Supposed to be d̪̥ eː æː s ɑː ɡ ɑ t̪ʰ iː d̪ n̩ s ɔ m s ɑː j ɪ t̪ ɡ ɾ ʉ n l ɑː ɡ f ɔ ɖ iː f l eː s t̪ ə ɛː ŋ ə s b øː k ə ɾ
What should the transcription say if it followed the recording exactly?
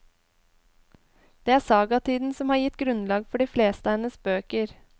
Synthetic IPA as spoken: d̪̥ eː æː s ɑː ɡ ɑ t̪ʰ iː d̪ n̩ s ɔ m h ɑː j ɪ t̪ ɡ ɾ ʉ n l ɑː ɡ f ɔ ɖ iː f l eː s t̪ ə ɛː n ə s b øː k ə ɾ

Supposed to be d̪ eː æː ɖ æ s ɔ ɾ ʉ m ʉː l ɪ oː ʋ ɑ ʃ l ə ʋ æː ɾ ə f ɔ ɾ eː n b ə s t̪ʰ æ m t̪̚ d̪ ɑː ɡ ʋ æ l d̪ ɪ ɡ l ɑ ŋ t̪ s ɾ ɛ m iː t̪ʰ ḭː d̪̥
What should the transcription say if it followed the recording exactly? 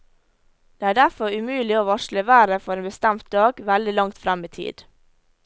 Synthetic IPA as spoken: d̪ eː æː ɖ æ f ɔ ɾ ʉ m ʉː l ɪ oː ʋ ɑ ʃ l ə ʋ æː ɾ ə f ɔ ɾ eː n b ə s t̪ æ m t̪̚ d̪ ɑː ɡ ʋ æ l d̪ ɪ l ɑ ŋ t̪ f ɾ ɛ m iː t̪ʰ ḭː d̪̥

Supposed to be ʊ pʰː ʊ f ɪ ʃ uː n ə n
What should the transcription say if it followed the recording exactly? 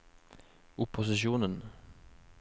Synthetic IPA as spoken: ʊ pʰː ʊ s ɪ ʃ uː n ə n

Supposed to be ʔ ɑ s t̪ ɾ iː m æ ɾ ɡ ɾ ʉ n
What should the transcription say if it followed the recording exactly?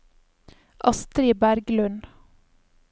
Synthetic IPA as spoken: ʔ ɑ s t̪ ɾ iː b æ ɾ ɡ l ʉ n

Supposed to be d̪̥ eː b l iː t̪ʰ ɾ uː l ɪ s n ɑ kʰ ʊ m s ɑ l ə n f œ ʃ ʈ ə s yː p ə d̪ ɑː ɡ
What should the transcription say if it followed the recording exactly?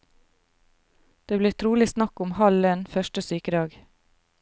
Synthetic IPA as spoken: d̪̥ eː b l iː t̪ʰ ɾ uː l ɪ s n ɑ k ʊ m h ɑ l ə n f œ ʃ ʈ ə s yː k ə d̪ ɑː ɡ

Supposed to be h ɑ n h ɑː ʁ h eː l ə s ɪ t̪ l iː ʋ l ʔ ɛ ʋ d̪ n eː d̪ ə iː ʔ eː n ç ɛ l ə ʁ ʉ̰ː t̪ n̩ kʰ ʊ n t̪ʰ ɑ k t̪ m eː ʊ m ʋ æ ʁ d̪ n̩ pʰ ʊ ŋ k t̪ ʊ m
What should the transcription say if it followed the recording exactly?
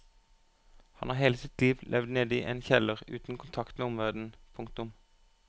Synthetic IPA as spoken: h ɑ n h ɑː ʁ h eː l ə s ɪ t̪ l iː ʋ l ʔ ɛ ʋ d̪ n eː d̪ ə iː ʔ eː n ç ɛ l ə ʁ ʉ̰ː t̪ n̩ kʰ ʊ n t̪ʰ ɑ k t̪ m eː ʊ m ʋ æ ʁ d̪ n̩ pʰ ʊ ŋ k t̪ ʊ m

